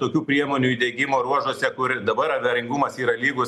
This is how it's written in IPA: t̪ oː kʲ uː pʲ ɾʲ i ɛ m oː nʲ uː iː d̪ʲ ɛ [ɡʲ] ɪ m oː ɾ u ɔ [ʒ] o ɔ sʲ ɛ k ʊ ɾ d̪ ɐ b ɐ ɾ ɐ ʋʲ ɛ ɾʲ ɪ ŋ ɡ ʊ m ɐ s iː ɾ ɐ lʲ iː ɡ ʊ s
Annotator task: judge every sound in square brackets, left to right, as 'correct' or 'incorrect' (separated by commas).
correct, correct